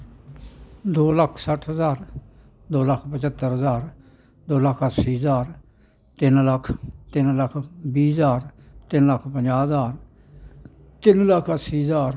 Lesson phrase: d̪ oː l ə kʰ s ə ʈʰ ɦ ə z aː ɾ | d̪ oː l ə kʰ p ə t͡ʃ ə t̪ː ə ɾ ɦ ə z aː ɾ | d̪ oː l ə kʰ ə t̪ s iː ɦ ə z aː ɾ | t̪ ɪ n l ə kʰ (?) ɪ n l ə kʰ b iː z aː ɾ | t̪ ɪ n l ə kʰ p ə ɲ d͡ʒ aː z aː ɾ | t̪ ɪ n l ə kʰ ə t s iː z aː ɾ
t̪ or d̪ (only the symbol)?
t̪